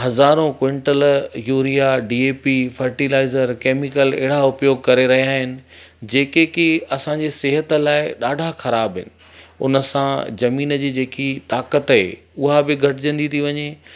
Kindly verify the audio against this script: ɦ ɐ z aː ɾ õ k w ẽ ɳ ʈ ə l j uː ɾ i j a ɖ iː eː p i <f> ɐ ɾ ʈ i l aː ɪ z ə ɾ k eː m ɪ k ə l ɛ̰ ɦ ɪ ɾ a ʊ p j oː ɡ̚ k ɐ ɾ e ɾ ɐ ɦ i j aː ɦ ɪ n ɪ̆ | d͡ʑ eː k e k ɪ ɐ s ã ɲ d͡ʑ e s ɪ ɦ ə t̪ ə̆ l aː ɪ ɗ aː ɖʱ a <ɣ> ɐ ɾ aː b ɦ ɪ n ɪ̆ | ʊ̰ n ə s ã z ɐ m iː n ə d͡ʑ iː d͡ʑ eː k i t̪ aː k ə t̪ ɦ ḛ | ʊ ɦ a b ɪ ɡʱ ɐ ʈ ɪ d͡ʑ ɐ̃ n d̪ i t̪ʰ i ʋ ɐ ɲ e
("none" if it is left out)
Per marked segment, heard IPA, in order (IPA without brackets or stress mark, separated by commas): f, x